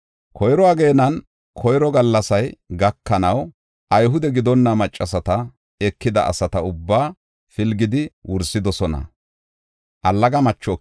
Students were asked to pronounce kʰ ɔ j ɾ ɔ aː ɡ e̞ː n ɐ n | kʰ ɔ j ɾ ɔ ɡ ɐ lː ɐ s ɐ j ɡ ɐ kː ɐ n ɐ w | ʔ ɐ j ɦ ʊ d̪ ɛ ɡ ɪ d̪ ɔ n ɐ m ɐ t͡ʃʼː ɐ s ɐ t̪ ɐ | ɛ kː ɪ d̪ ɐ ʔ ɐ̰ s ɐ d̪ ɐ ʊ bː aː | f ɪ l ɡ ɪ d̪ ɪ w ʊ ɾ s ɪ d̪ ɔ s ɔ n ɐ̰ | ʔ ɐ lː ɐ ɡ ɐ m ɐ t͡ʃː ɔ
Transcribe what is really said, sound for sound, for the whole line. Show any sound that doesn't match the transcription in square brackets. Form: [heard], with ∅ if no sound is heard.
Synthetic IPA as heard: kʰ ɔ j ɾ ɔ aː ɡ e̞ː n ɐ n | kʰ ɔ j ɾ ɔ ɡ ɐ lː ɐ s ɐ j ɡ ɐ kː ɐ n ɐ w | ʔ ɐ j ɦ ʊ d̪ ɛ ɡ ɪ d̪ ɔ [nː] ɐ m ɐ t͡ʃʼː ɐ s ɐ t̪ ɐ | ɛ kː ɪ d̪ ɐ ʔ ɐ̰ s ɐ [t̪] ɐ ʊ bː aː | f ɪ l ɡ ɪ d̪ ɪ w ʊ ɾ s ɪ d̪ ɔ s ɔ n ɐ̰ | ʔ ɐ lː ɐ ɡ ɐ m ɐ t͡ʃː ɔ